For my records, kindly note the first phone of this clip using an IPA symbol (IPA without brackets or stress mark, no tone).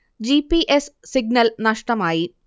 d͡ʑ